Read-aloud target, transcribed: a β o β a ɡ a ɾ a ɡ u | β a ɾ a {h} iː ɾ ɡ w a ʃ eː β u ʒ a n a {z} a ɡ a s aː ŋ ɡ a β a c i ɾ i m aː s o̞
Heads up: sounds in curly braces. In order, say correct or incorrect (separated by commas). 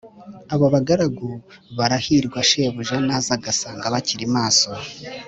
correct, correct